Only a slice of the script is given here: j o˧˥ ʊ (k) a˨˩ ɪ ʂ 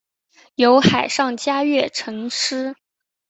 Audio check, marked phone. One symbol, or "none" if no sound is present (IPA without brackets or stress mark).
x